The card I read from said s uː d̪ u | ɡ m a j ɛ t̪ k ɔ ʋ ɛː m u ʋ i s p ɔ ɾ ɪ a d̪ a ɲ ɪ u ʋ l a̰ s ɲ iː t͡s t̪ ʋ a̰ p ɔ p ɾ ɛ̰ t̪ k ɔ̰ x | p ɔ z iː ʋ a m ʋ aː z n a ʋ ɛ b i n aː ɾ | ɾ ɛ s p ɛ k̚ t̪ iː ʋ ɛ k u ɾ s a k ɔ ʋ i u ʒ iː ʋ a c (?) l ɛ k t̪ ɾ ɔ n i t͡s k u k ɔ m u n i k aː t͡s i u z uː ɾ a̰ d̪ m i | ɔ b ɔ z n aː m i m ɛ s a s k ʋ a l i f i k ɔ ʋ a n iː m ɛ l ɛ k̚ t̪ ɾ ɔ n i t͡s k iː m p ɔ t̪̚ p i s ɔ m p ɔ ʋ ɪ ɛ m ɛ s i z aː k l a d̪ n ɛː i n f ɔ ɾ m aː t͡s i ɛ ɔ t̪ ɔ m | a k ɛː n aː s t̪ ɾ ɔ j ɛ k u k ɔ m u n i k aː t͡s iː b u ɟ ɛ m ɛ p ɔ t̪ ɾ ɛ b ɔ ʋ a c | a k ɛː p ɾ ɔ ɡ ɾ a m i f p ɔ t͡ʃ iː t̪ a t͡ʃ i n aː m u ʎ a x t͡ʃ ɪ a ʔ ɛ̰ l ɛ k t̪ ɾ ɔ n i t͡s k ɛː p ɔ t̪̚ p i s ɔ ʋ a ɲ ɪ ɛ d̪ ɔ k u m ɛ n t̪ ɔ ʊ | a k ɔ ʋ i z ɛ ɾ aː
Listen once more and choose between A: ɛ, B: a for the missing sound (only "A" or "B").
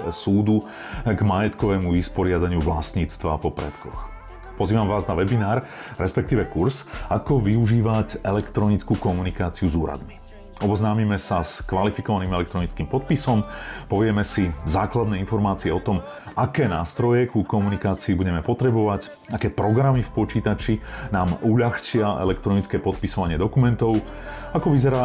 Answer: A